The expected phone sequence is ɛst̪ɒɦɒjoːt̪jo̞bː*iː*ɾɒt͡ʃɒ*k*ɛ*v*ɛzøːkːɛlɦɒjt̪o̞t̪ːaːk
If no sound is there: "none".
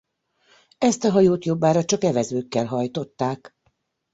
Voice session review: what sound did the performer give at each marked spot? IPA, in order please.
aː, k, v

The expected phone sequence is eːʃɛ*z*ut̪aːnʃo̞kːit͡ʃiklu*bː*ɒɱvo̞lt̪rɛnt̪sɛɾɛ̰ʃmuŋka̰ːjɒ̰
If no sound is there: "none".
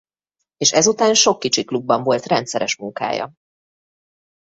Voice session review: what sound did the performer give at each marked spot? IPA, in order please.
z, bː

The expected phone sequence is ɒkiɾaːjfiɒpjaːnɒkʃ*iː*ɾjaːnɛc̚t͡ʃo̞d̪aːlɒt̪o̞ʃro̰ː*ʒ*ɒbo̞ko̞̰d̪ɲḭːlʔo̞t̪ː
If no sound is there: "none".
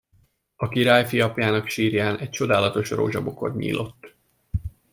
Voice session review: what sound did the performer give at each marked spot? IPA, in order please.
iː, ʒ

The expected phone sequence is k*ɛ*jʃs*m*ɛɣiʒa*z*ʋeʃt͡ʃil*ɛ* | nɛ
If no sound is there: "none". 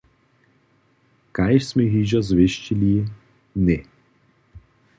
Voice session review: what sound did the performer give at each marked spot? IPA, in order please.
a, m, z, i

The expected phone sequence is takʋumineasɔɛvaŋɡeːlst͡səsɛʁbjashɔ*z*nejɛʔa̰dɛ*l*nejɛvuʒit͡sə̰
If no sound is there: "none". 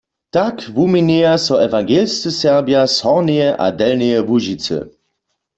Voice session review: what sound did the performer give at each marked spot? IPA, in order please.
ʁ, l

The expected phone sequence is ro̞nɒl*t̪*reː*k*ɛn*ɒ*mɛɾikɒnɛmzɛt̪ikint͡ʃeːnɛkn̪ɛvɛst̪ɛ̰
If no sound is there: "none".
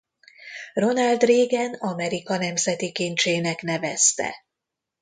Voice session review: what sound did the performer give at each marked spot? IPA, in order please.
d̪, ɡ, ɒ

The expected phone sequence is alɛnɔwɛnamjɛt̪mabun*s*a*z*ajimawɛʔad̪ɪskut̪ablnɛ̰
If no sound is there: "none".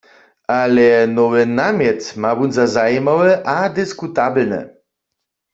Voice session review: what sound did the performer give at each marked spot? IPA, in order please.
z, z

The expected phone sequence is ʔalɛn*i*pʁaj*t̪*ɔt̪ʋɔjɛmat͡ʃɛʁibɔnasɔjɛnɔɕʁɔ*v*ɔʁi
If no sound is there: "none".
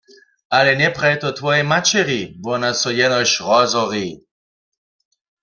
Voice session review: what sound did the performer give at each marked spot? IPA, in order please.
ɛ, t̪, z

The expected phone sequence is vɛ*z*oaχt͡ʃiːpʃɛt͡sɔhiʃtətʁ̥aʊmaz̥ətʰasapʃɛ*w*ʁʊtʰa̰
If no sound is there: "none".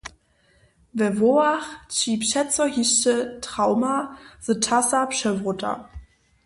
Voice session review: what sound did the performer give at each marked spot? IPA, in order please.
v, v

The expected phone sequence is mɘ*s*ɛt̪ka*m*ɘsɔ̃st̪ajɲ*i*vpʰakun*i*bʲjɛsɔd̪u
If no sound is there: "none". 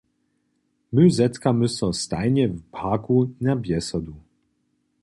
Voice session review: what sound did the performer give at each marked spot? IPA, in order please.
z, m, ɛ, a

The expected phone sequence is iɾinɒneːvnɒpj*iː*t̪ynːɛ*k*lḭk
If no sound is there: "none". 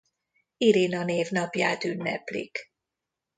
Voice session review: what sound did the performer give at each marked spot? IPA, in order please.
aː, p

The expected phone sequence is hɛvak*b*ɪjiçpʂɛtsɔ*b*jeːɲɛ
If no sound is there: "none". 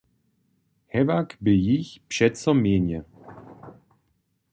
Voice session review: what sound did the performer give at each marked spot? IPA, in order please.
b, m

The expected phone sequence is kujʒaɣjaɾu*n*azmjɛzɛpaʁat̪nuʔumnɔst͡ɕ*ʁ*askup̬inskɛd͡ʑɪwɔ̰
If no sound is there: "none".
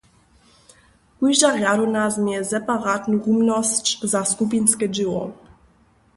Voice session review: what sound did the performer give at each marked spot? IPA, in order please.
n, z

